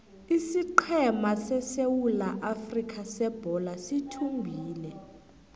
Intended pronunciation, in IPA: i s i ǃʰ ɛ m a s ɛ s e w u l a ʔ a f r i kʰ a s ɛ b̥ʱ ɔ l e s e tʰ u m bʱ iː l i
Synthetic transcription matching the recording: i s i ǃʰ ɛ m a s ɛ s e w u l a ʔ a f r i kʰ a s ɛ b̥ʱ ɔ l a s i tʰ u m bʱ iː l ɛ